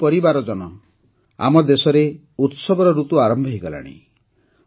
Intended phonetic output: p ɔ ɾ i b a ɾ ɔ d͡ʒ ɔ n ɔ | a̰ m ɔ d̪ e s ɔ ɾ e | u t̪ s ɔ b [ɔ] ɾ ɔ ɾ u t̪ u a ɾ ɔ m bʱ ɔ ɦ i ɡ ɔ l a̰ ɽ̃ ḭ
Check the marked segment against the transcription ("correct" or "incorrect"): correct